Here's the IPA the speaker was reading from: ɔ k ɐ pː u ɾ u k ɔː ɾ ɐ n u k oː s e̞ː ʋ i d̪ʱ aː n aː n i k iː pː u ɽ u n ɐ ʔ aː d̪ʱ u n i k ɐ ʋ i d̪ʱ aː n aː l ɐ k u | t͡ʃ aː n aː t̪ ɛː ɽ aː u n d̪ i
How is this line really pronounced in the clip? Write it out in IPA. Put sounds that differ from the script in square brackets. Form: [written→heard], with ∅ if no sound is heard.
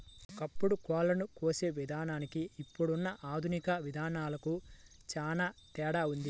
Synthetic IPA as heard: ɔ k ɐ pː u [ɾ→ɽ] u k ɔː [ɾ→l] ɐ n u k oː s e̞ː ʋ i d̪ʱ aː n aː n i k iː pː u ɽ u [n→nː] ɐ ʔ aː d̪ʱ u n i k ɐ ʋ i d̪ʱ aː n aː l ɐ k u | t͡ʃ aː n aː t̪ ɛː ɽ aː u n d̪ i